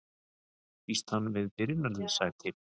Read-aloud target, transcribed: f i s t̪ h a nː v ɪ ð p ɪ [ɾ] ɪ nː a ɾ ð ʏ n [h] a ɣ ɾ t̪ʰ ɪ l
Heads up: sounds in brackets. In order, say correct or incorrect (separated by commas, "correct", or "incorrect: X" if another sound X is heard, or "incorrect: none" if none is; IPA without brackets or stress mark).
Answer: correct, incorrect: s